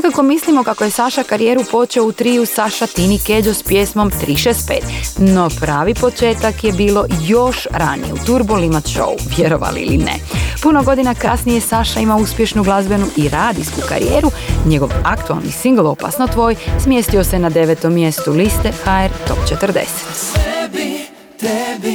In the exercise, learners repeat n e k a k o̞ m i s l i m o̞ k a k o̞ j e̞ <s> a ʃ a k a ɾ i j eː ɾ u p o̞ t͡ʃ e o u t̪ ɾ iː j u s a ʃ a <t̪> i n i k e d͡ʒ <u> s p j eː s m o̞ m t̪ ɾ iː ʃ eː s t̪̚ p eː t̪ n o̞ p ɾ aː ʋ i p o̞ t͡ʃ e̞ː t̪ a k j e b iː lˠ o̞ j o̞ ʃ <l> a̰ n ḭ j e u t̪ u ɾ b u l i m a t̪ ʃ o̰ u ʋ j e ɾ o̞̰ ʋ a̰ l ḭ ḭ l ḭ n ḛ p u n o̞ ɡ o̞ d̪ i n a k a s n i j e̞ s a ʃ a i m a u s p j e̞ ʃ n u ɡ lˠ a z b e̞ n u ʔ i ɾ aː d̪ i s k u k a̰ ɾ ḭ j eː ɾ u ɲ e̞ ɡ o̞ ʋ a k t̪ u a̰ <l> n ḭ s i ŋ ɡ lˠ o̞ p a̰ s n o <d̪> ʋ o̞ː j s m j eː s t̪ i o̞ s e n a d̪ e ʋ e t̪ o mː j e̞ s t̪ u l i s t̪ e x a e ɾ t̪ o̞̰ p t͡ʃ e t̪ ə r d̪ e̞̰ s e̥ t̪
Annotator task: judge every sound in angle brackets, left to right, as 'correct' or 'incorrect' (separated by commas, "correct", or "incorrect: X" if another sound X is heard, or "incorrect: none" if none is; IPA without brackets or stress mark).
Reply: correct, correct, incorrect: o, incorrect: ɾ, correct, incorrect: t̪